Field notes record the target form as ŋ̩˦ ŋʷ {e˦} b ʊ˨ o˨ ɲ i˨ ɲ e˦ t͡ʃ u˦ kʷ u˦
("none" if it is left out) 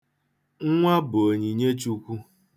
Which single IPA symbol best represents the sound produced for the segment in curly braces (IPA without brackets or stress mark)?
a˦